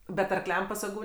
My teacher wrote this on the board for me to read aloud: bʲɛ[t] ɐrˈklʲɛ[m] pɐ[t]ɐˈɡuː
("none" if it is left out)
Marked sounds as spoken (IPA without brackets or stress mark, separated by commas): t, m, s